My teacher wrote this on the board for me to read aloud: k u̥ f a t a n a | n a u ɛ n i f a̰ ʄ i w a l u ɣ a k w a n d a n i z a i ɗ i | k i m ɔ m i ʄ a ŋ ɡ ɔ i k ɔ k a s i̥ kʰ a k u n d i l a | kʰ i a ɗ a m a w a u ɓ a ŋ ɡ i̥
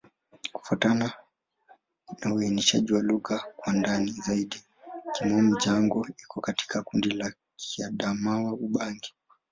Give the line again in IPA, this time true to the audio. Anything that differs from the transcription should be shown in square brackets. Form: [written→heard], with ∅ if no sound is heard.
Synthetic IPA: k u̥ f a t a n a | n a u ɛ n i [f→ʃ] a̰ ʄ i w a l u ɣ a k w a n d a n i z a i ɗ i | k i m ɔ m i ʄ a ŋ ɡ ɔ i k ɔ k a [s→t] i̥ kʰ a k u n d i l a | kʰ i a ɗ a m a w a u ɓ a ŋ ɡ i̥